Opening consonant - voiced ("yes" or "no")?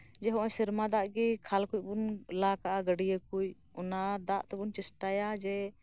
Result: yes